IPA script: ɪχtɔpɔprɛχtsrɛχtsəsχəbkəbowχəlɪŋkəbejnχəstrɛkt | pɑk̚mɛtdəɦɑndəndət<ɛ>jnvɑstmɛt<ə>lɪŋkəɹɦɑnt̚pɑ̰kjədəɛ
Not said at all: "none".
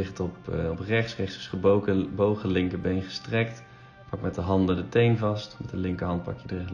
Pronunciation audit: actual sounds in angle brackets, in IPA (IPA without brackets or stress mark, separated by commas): e, ə